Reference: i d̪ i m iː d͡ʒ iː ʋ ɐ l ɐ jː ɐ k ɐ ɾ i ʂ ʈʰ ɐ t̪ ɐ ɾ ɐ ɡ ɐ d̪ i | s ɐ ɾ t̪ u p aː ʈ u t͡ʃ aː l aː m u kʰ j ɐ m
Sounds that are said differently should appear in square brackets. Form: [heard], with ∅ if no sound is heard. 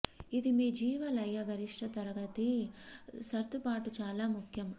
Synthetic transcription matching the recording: i d̪ i m iː d͡ʒ iː ʋ ɐ l ɐ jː ɐ [ɡ] ɐ ɾ i ʂ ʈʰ ɐ t̪ ɐ ɾ ɐ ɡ ɐ [t̪] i | s ɐ ɾ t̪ u p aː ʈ u t͡ʃ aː l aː m u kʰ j ɐ m